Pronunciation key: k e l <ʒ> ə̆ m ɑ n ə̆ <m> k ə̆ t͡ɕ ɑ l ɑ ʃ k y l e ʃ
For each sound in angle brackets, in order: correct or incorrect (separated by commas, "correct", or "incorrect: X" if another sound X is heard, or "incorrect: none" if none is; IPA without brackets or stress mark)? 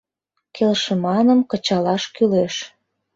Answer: incorrect: ʃ, correct